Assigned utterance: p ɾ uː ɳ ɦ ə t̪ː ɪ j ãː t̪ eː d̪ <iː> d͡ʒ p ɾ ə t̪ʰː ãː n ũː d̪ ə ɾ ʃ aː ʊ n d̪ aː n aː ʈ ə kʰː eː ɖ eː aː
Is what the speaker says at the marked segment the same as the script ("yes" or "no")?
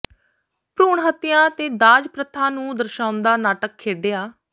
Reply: no